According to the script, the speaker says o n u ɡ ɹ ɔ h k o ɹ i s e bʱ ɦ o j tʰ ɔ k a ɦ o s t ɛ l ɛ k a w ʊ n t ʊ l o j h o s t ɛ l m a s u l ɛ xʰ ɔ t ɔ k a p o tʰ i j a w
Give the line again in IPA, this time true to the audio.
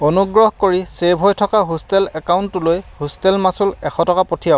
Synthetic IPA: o n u ɡ ɹ ɔ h k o ɹ i s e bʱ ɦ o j tʰ ɔ k a ɦ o s t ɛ l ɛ k a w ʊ n t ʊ l o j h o s t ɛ l m a s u l ɛ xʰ ɔ t ɔ k a p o tʰ i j a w